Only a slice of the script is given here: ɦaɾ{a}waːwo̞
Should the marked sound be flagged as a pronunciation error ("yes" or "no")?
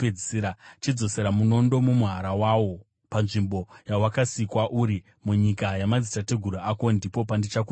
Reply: no